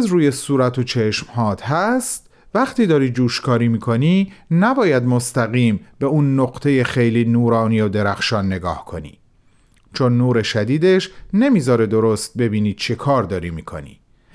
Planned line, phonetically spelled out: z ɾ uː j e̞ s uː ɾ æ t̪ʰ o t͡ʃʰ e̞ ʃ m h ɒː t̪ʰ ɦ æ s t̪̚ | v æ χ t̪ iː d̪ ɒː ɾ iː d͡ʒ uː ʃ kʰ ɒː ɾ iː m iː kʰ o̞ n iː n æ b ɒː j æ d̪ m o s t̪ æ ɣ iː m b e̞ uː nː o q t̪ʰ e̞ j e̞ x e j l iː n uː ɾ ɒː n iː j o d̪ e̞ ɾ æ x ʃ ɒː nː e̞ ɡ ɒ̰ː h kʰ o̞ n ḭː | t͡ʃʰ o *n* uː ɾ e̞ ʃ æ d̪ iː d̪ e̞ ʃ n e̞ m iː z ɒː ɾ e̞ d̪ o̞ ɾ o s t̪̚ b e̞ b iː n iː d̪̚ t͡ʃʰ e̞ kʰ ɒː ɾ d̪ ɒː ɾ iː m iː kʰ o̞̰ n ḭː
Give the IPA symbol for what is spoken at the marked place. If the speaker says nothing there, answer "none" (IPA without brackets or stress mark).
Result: nː